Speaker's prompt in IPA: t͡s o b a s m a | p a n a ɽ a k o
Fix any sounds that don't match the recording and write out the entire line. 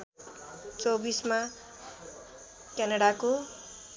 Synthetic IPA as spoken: t͡s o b i s m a | k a n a ɽ a k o